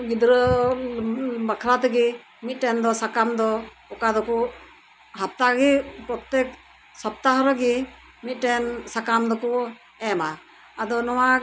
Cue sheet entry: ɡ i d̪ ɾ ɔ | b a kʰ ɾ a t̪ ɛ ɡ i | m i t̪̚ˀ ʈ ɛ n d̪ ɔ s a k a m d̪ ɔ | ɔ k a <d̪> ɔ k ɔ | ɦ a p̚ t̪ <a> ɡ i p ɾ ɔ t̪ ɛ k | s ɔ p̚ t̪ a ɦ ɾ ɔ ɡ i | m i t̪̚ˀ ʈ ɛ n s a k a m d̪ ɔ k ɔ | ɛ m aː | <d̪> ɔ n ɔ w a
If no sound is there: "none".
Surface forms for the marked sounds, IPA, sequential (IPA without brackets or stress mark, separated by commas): d̪, a, d̪